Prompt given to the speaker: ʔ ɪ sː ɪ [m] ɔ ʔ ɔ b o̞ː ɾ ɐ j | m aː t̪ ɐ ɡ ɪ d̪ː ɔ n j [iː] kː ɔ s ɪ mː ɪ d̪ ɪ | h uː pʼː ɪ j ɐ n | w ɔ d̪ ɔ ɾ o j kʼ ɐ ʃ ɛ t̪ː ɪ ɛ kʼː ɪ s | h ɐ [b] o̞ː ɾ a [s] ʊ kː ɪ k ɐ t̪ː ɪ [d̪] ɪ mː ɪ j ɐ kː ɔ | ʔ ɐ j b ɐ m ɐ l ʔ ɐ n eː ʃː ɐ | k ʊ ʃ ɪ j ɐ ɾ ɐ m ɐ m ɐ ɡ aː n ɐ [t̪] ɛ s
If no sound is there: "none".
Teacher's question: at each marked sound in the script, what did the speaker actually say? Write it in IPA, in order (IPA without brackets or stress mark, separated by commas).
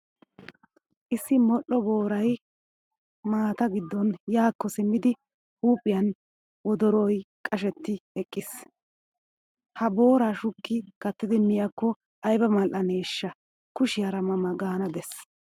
m, aː, b, ʃ, d̪, d̪